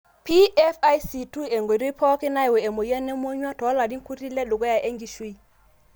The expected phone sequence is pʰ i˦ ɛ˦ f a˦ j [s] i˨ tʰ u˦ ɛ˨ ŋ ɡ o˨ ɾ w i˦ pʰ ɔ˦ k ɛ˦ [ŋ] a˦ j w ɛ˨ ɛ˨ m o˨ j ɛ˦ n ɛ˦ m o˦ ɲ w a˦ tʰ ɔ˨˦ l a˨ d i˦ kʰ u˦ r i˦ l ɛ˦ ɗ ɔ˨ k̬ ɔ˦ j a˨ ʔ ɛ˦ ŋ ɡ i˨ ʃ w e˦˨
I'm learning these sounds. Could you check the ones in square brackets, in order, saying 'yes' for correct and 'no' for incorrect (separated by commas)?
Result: yes, no